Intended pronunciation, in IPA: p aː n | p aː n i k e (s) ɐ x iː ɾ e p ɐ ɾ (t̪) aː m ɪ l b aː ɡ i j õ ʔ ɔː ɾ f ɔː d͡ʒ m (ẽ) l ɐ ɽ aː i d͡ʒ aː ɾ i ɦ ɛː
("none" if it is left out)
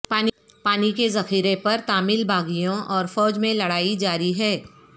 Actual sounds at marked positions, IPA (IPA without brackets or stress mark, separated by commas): z, t̪, ẽ